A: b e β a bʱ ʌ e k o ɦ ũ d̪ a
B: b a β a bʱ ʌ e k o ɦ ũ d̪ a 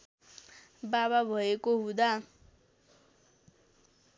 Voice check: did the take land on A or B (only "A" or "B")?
B